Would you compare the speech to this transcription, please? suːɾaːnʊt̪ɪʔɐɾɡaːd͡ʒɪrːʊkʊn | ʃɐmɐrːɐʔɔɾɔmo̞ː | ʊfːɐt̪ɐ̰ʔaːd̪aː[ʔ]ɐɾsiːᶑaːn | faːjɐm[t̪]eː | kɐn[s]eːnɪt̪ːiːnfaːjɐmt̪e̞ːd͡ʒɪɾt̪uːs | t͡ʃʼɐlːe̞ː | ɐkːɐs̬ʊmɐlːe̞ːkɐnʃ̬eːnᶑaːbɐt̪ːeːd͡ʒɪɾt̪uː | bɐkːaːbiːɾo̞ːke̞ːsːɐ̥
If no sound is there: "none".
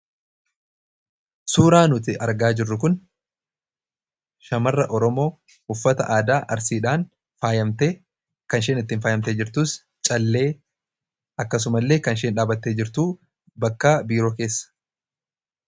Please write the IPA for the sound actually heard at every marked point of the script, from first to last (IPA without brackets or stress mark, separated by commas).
ʔ, t̪, ʃ